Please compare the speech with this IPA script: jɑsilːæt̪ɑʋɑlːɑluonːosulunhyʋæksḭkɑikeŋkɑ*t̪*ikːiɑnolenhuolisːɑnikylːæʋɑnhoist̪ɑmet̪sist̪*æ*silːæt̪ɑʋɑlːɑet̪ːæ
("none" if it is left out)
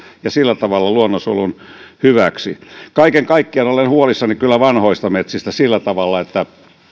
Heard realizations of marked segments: none, æ

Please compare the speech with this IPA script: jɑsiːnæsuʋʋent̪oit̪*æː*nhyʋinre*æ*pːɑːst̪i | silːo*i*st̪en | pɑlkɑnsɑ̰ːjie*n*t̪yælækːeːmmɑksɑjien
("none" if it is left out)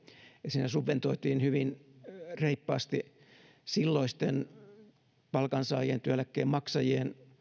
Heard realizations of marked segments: iː, i, i, n

